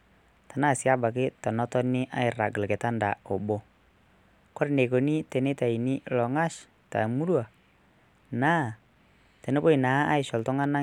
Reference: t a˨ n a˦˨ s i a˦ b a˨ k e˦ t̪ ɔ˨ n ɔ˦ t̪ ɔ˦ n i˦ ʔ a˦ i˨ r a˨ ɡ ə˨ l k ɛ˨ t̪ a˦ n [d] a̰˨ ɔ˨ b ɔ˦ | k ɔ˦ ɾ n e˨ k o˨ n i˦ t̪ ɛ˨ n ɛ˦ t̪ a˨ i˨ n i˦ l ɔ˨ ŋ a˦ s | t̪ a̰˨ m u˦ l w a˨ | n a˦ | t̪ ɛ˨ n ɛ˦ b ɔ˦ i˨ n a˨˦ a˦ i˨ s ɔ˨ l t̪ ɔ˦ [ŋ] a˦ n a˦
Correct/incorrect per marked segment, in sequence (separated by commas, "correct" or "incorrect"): correct, correct